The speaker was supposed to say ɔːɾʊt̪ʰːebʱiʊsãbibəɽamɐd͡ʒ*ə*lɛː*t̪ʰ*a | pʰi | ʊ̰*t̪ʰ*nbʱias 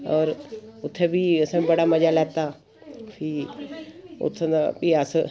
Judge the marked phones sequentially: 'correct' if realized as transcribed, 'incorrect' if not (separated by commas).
incorrect, incorrect, correct